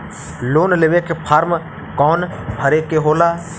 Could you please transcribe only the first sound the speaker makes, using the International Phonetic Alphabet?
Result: l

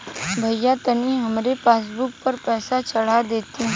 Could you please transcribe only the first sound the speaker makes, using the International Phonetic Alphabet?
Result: bʱ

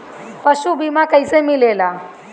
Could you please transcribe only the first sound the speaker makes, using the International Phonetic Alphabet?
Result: p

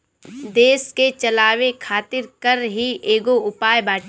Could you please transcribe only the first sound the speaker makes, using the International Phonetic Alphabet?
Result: d̪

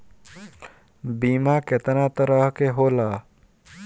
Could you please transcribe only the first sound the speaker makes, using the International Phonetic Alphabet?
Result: b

